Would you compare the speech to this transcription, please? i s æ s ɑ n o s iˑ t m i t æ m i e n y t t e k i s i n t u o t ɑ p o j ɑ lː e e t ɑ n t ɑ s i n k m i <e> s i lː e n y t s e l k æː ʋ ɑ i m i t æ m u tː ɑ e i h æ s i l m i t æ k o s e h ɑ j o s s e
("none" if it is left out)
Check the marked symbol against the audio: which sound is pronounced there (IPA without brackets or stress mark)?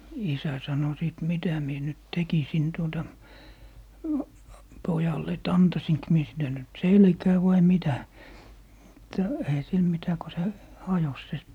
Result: e